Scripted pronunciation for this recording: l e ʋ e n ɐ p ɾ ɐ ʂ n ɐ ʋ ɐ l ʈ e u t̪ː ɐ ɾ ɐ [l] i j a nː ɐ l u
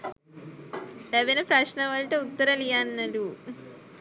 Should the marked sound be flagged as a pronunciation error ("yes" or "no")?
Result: no